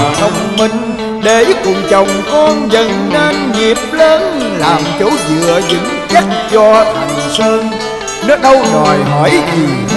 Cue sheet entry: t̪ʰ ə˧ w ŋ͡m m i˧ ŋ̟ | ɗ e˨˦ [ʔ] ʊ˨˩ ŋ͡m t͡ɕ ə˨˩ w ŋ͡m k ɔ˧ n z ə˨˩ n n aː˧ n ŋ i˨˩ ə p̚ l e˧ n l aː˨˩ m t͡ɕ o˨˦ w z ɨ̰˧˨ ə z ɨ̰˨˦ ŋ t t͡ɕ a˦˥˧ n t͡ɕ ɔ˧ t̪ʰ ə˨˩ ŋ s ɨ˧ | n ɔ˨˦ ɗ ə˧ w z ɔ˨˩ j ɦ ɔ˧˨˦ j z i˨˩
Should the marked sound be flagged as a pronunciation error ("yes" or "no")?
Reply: yes